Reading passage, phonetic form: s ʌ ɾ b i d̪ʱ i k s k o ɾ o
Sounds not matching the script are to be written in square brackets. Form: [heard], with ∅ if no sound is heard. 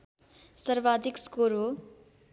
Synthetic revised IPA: s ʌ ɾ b [a] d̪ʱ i k s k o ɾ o